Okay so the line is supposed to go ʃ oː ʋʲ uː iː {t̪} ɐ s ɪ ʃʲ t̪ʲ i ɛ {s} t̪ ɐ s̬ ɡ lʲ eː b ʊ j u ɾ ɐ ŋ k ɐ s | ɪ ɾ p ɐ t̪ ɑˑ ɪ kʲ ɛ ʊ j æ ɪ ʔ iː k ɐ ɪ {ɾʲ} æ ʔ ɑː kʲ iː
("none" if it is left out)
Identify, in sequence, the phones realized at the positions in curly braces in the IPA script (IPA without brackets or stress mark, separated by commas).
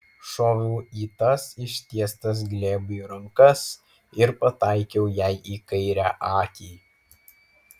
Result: t̪, s, ɾʲ